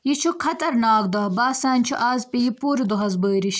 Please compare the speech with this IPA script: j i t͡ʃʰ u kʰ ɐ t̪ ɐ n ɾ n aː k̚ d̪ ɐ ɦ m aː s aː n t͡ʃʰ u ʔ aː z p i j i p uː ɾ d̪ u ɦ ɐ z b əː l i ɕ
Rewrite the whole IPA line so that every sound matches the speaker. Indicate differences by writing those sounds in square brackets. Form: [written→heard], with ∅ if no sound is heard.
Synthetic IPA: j i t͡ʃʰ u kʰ ɐ t̪ ɐ [n→∅] ɾ n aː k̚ d̪ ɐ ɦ [m→b] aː s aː n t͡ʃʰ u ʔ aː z p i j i p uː ɾ d̪ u ɦ ɐ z b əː [l→ɾ] i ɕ